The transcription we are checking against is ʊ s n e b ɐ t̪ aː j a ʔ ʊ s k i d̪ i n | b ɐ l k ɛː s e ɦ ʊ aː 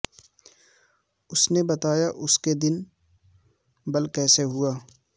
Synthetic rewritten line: ʊ s n e b ɐ t̪ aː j a ʔ ʊ s k e d̪ ɪ n | b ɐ l k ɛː s e ɦ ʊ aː